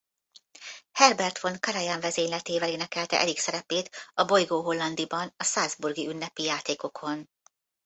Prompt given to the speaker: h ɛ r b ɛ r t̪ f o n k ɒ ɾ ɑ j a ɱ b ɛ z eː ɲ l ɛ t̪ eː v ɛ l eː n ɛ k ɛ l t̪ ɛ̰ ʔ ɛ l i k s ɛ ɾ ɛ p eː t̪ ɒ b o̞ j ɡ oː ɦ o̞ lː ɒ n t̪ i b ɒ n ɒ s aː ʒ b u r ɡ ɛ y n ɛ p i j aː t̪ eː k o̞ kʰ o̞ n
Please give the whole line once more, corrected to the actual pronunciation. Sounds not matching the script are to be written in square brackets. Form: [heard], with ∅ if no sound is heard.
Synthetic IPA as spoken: h ɛ r b ɛ r t̪ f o n k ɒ ɾ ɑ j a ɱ [v] ɛ z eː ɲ l ɛ t̪ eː v ɛ l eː n ɛ k ɛ l t̪ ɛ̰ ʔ ɛ l i k s ɛ ɾ ɛ p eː t̪ ɒ b o̞ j ɡ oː ɦ o̞ lː ɒ n [d̪] i b ɒ n ɒ s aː [z] b u r ɡ [i] y [nː] ɛ p i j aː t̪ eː k o̞ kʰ o̞ n